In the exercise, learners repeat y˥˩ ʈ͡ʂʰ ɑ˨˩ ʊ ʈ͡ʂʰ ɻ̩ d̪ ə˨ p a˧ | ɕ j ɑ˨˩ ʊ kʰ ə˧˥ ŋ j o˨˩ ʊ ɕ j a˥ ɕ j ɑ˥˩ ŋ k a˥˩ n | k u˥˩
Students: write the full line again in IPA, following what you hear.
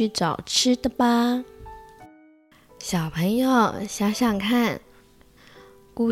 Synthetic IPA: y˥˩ ʈ͡ʂ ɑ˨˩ ʊ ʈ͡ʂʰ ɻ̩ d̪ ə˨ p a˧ | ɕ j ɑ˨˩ ʊ pʰ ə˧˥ ŋ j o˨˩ ʊ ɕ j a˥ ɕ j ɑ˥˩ ŋ kʰ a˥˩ n | k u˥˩